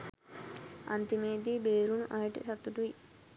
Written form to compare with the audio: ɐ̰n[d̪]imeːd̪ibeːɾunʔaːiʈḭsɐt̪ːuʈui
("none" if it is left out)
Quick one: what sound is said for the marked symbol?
t̪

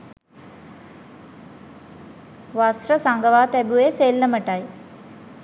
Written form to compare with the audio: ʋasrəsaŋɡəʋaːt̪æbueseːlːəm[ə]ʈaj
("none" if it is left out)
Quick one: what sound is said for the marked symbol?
ə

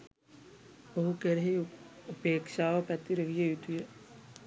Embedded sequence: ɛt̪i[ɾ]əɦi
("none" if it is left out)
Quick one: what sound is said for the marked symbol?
ɾ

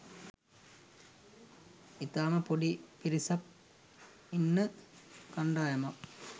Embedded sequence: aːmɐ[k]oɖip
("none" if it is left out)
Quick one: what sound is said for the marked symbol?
p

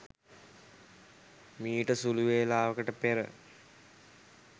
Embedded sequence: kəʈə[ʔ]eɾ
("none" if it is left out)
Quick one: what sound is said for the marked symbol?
p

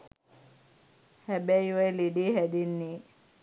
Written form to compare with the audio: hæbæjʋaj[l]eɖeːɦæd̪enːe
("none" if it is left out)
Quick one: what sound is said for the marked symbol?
l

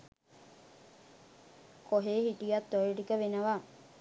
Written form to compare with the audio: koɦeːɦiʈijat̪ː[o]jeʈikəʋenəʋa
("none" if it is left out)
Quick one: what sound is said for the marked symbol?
o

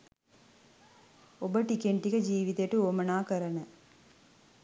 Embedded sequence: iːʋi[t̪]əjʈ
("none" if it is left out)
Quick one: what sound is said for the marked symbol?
t̪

